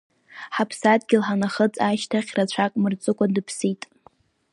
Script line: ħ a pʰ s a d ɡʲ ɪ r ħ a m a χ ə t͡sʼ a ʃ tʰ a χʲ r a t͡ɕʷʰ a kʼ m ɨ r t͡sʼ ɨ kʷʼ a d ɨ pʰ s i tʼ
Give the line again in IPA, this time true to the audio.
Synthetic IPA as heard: ħ a pʰ s a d ɡʲ ɪ l ħ a n a χ ə t͡sʼ a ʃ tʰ a χʲ r a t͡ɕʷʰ a kʼ m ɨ r t͡sʼ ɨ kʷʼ a d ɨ pʰ s i tʼ